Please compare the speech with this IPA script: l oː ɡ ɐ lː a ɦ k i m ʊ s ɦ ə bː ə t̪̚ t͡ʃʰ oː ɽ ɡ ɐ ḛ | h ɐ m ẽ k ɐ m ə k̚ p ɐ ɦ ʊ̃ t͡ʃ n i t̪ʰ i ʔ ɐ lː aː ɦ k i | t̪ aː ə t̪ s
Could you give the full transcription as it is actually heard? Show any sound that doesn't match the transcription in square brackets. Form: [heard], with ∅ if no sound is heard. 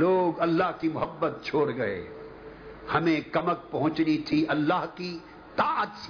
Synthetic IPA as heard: l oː ɡ ɐ lː a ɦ k i m ʊ [∅] ɦ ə bː ə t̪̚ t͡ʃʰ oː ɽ ɡ ɐ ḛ | h ɐ m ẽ k ɐ m ə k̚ p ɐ ɦ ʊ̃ t͡ʃ n i t̪ʰ i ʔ ɐ lː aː ɦ k i | t̪ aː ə t̪ s